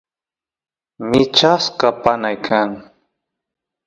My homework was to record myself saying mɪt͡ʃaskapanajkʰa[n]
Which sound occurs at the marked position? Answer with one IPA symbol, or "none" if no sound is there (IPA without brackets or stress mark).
ŋ